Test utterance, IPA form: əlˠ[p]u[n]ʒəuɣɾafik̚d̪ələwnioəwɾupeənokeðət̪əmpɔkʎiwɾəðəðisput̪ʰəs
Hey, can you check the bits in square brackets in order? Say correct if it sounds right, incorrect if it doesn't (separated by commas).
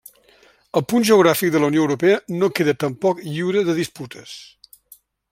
correct, correct